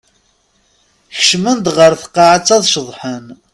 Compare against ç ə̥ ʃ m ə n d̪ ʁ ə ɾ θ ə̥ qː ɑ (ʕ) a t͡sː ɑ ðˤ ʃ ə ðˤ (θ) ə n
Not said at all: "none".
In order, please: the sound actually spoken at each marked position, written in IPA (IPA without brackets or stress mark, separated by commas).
ʕ, ħ